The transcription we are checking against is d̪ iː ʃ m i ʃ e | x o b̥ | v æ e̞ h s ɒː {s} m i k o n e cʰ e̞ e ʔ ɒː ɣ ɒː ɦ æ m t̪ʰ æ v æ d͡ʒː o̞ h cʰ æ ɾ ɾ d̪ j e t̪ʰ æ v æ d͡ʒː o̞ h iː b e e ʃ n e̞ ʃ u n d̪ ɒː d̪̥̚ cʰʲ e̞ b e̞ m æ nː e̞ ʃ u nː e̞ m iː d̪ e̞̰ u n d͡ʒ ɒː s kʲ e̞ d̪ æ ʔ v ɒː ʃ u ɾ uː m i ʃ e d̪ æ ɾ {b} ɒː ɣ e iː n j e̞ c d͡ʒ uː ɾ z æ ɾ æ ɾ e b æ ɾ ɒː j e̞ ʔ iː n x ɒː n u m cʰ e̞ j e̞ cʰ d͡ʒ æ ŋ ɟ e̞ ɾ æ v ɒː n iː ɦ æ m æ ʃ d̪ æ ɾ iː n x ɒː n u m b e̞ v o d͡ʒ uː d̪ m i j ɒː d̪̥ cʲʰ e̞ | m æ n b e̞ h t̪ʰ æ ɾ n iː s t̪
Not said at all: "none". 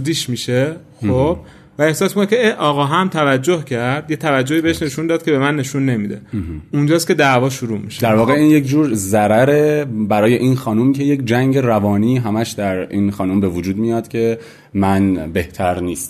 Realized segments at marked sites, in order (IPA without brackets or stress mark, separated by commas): s, v